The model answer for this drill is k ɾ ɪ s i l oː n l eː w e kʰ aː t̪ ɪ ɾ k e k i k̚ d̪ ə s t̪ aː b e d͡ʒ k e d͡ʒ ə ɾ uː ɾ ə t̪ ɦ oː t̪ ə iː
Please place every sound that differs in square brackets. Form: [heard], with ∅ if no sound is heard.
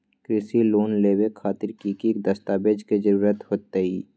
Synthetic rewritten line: k ɾ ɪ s i l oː n l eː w e kʰ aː t̪ ɪ ɾ k [i] k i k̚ d̪ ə s t̪ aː b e d͡ʒ k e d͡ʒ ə ɾ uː ɾ ə t̪ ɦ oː t̪ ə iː